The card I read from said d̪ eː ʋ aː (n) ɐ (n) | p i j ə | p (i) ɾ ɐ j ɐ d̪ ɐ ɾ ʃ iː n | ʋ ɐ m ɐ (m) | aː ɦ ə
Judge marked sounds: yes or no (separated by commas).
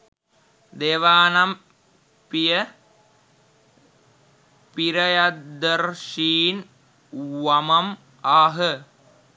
yes, no, yes, yes